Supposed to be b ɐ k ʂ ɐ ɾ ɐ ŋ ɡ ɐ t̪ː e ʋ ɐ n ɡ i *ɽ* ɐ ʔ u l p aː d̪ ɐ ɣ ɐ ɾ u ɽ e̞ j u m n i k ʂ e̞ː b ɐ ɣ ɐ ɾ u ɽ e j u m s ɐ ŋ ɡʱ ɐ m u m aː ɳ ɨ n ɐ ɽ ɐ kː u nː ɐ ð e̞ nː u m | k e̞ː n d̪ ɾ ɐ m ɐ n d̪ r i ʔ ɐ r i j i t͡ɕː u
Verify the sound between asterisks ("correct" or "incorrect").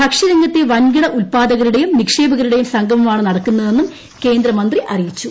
correct